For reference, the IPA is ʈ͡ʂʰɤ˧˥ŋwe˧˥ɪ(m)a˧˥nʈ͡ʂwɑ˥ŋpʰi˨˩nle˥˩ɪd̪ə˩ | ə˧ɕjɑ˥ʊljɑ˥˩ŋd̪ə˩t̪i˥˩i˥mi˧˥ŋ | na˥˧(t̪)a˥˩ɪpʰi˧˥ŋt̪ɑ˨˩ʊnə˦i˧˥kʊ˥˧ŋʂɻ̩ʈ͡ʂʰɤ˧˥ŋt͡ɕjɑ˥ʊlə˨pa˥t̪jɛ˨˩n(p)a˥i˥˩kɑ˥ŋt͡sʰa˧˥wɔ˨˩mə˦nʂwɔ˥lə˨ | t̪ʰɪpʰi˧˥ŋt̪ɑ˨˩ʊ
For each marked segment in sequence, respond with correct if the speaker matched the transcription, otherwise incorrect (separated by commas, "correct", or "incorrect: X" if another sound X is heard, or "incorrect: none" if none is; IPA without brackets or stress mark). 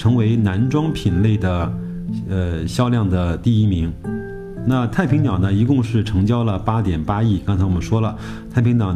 incorrect: n, incorrect: t̪ʰ, correct